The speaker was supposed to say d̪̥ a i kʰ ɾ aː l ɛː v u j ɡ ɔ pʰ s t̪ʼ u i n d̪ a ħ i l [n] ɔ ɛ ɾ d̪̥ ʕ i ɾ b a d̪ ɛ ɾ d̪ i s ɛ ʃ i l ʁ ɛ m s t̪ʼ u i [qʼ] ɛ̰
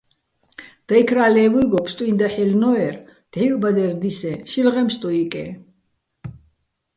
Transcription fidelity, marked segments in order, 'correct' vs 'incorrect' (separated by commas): correct, incorrect